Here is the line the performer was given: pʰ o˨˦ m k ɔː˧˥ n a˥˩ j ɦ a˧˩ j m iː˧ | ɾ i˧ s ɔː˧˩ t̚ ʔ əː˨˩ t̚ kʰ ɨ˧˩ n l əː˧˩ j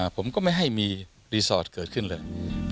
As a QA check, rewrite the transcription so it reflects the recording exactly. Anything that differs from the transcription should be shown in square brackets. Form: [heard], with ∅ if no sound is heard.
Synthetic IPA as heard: pʰ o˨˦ m k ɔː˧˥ [m] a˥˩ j ɦ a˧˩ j m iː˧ | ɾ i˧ s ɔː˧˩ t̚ [k] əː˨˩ t̚ kʰ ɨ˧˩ n l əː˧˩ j